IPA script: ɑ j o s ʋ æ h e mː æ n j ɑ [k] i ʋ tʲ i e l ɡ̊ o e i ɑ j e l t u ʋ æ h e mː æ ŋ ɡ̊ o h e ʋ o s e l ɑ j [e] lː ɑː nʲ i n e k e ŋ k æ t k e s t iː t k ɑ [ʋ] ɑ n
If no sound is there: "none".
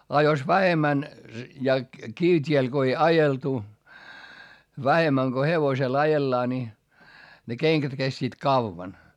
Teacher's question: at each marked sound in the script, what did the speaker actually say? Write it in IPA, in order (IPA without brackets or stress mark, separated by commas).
k, e, ʋː